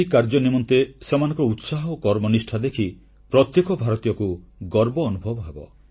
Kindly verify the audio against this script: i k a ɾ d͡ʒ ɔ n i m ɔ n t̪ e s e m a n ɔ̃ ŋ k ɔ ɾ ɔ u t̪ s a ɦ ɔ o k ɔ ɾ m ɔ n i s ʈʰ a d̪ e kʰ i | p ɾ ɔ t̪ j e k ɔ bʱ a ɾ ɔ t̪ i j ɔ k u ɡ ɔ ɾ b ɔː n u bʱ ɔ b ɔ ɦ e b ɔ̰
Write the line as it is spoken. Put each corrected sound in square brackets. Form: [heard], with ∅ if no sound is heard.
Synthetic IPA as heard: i k a ɾ d͡ʒ ɔ n i m ɔ n t̪ e s e m a n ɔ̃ ŋ k ɔ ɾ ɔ u t̪ s a ɦ ɔ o k ɔ ɾ m ɔ n i s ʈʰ a d̪ e kʰ i | p ɾ ɔ t̪ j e k ɔ bʱ a ɾ ɔ t̪ i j ɔ k u ɡ ɔ ɾ b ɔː n u bʱ ɔ b ɔ ɦ e b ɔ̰